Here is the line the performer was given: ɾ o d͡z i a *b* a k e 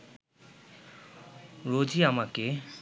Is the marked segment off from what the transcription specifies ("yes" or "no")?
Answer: yes